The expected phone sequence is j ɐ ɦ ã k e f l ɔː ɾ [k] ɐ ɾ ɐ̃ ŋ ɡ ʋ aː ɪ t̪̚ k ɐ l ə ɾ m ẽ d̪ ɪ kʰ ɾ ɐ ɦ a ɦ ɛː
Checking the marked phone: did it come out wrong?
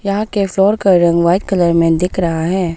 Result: no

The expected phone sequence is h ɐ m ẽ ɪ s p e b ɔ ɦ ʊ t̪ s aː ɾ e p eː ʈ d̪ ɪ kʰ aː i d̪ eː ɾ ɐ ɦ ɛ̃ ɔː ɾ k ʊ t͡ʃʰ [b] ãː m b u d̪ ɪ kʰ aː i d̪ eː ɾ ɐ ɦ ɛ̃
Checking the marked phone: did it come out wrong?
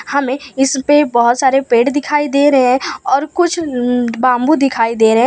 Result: no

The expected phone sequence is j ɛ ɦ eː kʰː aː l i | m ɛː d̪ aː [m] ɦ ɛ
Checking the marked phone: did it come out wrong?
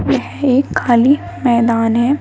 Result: yes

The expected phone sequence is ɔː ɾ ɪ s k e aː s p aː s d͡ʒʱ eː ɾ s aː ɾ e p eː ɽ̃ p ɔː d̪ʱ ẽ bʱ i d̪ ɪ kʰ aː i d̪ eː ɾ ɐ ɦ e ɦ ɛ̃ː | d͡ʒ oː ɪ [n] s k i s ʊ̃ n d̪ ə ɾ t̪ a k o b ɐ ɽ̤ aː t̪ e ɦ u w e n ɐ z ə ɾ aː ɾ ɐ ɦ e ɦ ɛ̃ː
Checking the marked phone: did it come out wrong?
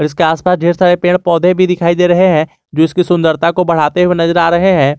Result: yes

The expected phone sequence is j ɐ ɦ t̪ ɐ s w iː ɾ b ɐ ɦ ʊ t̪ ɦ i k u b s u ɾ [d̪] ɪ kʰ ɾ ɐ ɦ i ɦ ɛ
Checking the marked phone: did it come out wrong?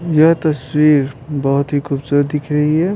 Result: no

